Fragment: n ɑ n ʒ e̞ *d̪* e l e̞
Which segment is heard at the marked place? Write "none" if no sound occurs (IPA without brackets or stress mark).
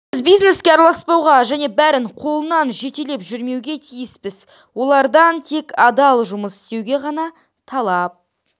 t̪